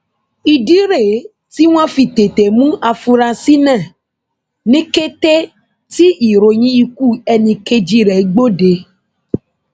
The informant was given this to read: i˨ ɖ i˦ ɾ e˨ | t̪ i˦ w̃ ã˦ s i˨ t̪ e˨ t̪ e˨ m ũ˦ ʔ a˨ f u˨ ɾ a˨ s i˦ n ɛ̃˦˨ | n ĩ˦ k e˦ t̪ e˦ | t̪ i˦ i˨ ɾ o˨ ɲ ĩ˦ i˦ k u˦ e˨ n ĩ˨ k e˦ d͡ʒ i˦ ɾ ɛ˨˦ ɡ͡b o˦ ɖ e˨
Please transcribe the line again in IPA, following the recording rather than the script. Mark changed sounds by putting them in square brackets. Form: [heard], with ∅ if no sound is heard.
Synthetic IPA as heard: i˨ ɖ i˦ ɾ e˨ | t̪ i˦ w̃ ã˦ [f] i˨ t̪ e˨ t̪ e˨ m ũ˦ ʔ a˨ f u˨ ɾ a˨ s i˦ n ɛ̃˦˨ | n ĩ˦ k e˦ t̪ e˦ | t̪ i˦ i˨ ɾ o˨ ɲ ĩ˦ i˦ k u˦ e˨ n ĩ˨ k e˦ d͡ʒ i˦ ɾ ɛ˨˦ ɡ͡b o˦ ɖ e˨

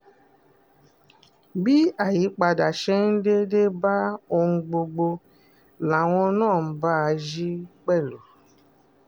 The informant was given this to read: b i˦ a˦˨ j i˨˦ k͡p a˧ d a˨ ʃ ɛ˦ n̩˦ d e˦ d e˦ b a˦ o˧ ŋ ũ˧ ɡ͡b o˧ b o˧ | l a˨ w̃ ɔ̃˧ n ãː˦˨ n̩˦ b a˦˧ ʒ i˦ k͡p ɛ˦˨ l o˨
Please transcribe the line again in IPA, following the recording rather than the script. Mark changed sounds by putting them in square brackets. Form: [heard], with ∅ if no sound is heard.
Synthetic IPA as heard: b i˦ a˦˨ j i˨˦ k͡p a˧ d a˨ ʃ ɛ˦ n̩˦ d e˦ d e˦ b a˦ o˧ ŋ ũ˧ ɡ͡b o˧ [ɡ͡b] o˧ | l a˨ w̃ ɔ̃˧ n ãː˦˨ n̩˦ b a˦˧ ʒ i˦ k͡p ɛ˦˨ l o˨

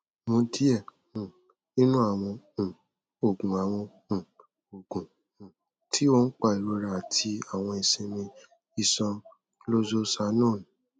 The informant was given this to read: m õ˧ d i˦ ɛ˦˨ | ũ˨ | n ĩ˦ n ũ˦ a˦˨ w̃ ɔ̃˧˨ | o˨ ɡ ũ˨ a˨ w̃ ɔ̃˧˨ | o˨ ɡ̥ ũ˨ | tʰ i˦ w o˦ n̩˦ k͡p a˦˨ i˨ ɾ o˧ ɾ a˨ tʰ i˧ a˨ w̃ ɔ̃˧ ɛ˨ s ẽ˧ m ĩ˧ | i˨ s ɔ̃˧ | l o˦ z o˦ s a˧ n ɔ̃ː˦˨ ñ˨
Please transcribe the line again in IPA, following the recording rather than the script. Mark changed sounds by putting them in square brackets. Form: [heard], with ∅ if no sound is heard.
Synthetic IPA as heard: m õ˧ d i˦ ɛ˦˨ | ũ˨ | n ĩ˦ n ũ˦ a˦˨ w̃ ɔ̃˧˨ | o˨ ɡ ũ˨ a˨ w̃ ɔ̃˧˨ | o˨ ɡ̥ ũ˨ | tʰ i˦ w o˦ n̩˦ k͡p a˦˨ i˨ ɾ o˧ ɾ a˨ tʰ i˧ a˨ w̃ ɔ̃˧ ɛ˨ s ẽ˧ m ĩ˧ | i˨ s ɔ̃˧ | l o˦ z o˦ s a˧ n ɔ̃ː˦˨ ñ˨

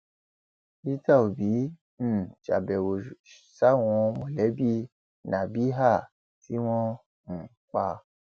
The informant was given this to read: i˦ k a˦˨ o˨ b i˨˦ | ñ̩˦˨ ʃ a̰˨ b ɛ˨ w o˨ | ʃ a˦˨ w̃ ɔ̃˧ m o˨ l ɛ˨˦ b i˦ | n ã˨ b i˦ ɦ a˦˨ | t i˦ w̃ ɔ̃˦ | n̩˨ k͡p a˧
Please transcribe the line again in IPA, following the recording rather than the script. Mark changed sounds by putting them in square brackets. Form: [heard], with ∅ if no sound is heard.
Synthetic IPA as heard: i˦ [t] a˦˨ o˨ b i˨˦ | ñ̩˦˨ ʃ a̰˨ b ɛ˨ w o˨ | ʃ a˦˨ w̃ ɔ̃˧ m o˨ l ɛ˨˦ b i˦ | n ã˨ b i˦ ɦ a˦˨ | t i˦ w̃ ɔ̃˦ | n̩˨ k͡p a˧

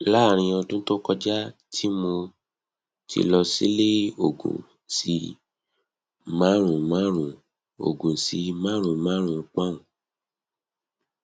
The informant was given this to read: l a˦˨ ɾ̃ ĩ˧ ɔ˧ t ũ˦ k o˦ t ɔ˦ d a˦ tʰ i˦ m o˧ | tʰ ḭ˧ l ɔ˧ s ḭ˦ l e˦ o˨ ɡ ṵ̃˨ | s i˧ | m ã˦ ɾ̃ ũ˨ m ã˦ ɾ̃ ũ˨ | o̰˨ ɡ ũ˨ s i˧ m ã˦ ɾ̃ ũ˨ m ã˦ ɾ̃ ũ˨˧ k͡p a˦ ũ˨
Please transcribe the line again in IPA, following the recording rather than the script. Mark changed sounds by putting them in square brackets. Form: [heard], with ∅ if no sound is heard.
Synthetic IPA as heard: l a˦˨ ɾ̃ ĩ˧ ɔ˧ t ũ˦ [t] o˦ [k] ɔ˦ [d͡ʒ] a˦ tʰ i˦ m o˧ | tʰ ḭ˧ l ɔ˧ s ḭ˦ l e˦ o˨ ɡ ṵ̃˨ | s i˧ | m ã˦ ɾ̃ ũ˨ m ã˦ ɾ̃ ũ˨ | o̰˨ ɡ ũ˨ s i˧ m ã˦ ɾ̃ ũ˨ m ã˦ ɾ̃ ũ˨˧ k͡p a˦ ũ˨

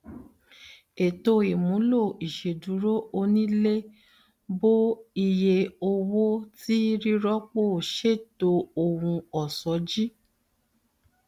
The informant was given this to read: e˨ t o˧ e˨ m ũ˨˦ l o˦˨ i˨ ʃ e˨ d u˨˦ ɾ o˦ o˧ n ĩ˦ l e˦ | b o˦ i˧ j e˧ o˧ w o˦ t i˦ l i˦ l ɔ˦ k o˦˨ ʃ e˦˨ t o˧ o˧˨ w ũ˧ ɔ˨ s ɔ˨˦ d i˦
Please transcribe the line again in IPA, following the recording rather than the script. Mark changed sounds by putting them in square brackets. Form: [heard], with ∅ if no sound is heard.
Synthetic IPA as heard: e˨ t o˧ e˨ m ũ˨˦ l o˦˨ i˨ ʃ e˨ d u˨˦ ɾ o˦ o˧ n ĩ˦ l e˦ | b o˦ i˧ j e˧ o˧ w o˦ t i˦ [ɾ] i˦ [ɾ] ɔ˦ [k͡p] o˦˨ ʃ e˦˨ t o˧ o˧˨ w ũ˧ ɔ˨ s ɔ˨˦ [d͡ʒ] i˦

